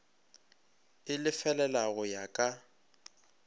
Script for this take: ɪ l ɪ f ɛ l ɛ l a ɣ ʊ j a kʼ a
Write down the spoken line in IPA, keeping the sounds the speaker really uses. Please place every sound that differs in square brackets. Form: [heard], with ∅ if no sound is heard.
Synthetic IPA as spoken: ɪ l ɪ f ɛ l ɛ l a ɣ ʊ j a kʼ a